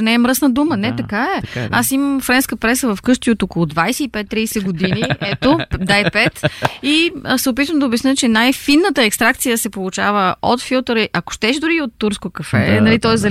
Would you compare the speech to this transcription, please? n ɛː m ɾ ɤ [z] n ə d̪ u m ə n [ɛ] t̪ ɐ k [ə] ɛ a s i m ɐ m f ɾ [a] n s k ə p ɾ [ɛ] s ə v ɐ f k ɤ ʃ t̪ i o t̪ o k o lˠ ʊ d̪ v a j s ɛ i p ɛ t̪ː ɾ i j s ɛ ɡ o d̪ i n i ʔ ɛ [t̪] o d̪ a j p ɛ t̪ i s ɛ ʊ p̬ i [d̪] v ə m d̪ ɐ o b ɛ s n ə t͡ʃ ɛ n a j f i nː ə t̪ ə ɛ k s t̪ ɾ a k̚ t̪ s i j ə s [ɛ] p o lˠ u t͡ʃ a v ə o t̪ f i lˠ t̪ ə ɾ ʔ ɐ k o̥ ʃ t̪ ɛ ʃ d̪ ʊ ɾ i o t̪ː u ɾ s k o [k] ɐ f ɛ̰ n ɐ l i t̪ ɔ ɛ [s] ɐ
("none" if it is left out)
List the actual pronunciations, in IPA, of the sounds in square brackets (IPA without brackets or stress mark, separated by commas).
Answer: s, ɛ, a, ɛ, ɛ, t̪, t̪, ɛ, k, z